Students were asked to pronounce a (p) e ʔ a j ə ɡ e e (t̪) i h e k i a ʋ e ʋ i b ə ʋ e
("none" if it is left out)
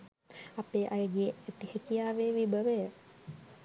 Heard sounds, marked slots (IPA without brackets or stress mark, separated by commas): p, t̪